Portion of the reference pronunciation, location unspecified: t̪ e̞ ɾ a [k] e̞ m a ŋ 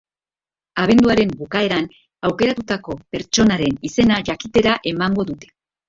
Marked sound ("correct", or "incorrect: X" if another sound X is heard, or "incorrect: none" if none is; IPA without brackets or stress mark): incorrect: ʔ